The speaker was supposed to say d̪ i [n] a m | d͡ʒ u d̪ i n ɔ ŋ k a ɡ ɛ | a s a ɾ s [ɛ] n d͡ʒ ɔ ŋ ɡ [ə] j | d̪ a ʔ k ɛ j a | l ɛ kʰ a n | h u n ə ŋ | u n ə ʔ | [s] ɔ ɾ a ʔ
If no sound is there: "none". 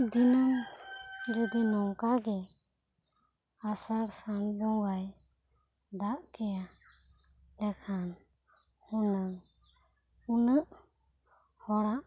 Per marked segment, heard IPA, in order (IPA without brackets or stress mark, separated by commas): n, a, a, h